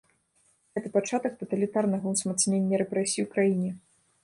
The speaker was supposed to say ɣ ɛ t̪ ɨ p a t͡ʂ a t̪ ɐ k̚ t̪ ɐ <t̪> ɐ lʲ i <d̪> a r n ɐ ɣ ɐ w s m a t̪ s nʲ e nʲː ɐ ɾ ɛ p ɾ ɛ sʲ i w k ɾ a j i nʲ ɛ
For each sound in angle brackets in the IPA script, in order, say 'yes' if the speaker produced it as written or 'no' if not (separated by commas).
yes, no